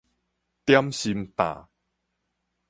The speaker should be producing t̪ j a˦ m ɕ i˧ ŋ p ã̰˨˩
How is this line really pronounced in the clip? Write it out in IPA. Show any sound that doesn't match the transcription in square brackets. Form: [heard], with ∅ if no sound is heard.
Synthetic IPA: t̪ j a˦ m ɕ i˧ [m] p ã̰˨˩